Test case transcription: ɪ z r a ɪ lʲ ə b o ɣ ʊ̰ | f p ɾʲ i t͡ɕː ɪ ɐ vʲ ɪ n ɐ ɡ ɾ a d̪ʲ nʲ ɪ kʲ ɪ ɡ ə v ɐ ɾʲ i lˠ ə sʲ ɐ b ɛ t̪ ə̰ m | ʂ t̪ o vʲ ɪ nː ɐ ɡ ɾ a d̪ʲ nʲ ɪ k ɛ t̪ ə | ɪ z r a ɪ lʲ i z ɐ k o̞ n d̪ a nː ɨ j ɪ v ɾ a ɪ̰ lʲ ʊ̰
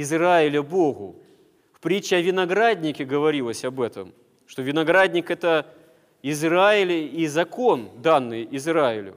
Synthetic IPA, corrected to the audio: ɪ z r a ɪ lʲ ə b o ɣ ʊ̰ | f p ɾʲ i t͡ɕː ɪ ɐ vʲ ɪ n ɐ ɡ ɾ a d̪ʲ nʲ ɪ kʲ ɪ ɡ ə v ɐ ɾʲ i lˠ ə sʲ ɐ b ɛ t̪ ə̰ m | ʂ t̪ o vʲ ɪ n ɐ ɡ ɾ a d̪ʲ nʲ ɪ k ɛ t̪ ə | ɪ z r a ɪ lʲ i z ɐ k o̞ n d̪ a nː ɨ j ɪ z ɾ a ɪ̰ lʲ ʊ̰